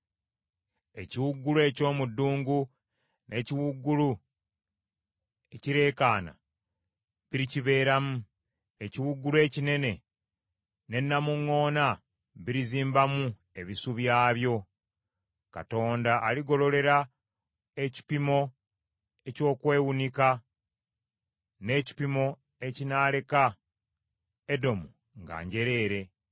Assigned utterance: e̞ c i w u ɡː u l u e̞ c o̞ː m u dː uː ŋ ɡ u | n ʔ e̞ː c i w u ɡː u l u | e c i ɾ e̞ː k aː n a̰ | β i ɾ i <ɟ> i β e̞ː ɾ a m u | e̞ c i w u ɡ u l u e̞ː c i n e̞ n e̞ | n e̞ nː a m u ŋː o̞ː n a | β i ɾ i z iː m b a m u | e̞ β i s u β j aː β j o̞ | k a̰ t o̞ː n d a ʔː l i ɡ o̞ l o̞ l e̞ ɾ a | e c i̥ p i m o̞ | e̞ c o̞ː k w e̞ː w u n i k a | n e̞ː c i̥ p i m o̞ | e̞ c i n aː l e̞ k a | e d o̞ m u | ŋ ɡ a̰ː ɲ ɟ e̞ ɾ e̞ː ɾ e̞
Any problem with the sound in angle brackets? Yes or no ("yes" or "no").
yes